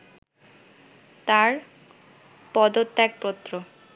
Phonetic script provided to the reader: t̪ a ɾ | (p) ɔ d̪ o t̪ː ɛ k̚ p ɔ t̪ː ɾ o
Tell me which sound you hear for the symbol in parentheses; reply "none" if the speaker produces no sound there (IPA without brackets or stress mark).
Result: p